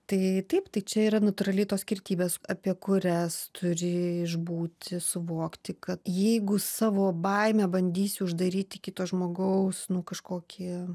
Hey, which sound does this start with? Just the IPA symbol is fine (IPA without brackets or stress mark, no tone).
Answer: t̪